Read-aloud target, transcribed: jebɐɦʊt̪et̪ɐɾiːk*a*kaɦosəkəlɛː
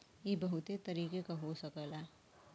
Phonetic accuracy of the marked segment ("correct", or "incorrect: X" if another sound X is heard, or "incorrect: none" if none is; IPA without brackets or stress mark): incorrect: e